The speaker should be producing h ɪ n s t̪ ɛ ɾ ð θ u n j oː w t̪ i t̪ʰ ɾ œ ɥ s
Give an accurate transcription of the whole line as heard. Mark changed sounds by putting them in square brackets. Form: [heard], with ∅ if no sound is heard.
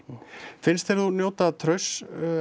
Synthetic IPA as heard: [f] ɪ n s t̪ ɛ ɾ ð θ u n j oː w t̪ [a] t̪ʰ ɾ œ ɥ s